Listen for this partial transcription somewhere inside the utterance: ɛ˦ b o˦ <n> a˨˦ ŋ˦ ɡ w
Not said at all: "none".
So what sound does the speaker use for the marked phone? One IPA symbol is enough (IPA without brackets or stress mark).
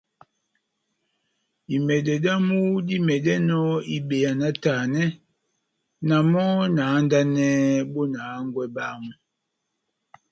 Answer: n